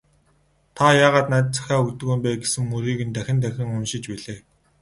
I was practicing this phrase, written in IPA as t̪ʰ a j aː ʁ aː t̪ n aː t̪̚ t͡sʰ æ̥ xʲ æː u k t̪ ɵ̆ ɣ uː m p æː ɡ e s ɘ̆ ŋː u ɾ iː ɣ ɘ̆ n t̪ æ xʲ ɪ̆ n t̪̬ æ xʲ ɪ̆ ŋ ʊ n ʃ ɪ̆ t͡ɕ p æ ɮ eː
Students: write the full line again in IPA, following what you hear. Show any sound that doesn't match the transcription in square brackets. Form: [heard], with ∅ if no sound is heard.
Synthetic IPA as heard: t̪ʰ a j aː ʁ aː t̪ n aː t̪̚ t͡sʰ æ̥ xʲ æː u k t̪ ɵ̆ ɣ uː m p æː ɡ e s ɘ̆ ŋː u ɾ iː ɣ ɘ̆ n t̪ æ xʲ ɪ̆ n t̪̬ æ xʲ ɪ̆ ŋ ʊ n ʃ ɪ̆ t͡ɕ p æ ɮ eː